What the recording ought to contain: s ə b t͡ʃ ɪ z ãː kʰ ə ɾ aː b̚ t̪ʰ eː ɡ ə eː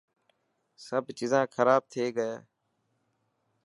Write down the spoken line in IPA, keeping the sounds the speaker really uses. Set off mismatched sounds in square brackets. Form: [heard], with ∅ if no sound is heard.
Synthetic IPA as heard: s ə b t͡ʃ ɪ z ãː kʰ ə ɾ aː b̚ t̪ʰ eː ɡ ə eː